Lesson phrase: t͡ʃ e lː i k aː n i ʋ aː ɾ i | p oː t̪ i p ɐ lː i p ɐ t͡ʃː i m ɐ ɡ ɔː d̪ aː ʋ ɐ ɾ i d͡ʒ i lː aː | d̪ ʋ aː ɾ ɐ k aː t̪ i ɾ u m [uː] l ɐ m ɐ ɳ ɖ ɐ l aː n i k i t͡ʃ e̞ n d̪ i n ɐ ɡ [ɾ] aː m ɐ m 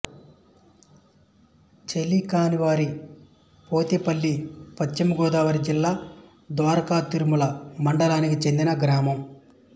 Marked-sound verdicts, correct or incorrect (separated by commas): incorrect, correct